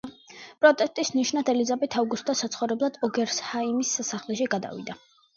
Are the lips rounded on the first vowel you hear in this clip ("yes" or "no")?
yes